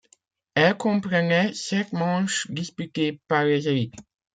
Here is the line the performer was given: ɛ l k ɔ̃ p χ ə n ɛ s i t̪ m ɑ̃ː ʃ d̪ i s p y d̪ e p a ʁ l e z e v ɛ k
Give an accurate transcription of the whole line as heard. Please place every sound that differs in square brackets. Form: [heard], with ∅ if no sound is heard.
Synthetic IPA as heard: ɛ l k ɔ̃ p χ ə n ɛ s [ɛ] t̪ m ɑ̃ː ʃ d̪ i s p y [t̪] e p a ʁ l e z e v [i] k